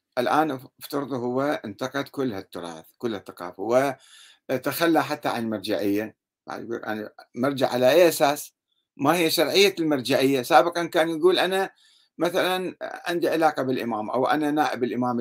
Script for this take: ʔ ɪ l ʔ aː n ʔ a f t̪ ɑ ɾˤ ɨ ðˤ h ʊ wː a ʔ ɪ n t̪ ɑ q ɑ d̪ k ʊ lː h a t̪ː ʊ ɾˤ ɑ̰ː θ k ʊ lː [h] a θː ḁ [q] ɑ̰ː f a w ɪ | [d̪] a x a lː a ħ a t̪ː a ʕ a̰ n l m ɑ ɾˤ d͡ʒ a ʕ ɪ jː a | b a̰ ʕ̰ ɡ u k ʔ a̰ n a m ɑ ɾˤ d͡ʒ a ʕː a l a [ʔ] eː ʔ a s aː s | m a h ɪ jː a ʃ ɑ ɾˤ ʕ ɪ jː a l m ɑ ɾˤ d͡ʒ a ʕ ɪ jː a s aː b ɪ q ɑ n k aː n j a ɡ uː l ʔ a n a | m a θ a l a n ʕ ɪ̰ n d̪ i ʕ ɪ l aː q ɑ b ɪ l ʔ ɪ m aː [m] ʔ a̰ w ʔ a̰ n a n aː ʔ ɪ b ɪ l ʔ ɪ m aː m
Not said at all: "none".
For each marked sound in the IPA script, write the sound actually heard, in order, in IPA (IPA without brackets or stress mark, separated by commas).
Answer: h, q, t̪, ʔ, m